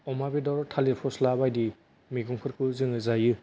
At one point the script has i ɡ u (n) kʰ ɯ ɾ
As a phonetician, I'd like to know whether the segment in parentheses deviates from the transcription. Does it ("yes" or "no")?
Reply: yes